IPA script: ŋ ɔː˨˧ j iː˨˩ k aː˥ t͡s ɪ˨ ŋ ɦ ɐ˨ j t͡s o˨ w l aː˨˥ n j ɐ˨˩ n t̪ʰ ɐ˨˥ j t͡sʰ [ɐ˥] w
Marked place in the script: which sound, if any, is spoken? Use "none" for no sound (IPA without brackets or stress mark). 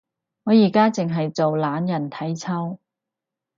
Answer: ɐ˥